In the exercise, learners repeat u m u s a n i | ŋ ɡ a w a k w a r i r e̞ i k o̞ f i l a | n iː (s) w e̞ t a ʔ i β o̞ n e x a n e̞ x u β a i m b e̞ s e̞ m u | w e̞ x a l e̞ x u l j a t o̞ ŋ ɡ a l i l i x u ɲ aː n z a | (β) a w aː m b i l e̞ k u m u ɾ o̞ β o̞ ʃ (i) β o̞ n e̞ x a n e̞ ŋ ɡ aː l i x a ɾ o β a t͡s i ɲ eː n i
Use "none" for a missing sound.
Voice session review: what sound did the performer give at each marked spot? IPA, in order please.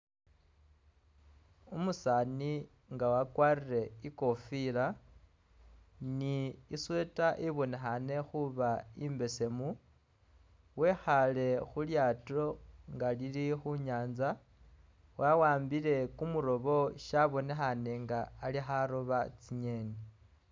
s, w, a

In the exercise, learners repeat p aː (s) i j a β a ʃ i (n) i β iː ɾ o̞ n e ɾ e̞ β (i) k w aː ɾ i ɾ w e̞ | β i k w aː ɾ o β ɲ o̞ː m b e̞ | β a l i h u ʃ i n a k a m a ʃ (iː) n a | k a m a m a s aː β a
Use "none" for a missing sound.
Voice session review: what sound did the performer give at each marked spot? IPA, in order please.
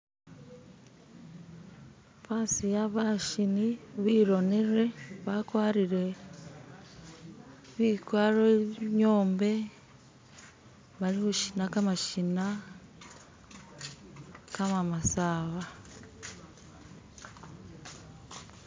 s, n, a, i

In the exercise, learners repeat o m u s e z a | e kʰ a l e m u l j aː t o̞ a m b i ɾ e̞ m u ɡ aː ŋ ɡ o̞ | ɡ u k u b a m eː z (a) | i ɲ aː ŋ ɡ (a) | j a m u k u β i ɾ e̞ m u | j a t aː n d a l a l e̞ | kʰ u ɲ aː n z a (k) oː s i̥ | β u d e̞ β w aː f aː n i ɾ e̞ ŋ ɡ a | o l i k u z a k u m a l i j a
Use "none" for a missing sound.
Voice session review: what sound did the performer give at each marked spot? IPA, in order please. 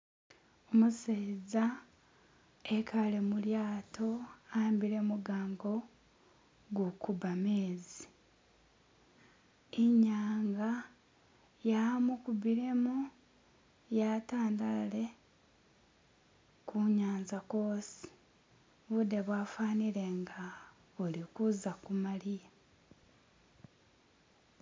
i, a, k

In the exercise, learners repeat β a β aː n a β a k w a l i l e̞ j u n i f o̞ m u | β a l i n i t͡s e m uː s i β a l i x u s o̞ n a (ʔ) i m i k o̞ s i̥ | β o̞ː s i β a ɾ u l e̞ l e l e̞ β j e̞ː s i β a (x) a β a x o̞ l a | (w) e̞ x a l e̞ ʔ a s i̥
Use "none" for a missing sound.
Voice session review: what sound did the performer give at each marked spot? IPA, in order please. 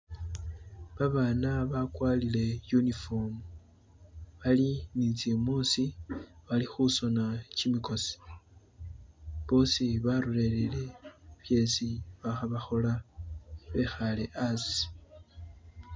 c, x, β

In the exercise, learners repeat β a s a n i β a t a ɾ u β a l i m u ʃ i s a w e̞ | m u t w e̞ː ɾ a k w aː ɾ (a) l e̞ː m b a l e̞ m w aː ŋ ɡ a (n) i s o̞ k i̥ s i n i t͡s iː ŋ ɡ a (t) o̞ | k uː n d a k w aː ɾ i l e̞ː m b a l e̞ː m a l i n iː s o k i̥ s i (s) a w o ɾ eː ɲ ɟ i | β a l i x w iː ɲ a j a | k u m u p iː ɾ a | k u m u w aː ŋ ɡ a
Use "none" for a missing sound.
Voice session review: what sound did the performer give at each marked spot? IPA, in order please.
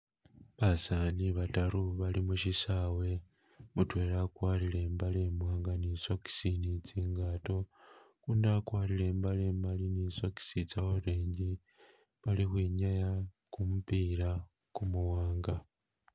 i, n, t, t͡s

